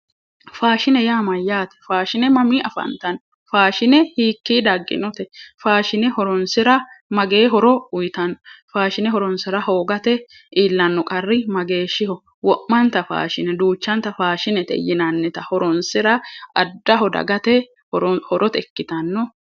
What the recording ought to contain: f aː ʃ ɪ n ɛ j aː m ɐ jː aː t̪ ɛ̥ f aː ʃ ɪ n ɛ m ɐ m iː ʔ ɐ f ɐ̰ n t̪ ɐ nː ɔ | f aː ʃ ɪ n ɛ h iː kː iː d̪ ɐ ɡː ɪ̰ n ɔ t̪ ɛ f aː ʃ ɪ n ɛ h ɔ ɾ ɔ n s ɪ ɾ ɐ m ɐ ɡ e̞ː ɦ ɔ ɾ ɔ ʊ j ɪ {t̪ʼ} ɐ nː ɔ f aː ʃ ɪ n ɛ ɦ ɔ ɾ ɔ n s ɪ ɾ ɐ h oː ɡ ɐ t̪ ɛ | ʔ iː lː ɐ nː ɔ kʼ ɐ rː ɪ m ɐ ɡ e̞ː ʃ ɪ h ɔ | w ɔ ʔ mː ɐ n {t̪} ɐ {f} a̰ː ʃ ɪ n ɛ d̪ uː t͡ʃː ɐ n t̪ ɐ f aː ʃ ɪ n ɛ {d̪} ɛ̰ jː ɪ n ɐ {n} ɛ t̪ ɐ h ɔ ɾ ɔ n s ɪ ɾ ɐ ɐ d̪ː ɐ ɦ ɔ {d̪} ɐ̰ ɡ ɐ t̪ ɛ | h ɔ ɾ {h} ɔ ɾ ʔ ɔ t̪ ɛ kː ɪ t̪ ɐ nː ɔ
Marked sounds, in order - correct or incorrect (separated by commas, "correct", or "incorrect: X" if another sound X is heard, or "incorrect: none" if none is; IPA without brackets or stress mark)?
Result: incorrect: t̪, correct, correct, incorrect: t̪, incorrect: nː, correct, correct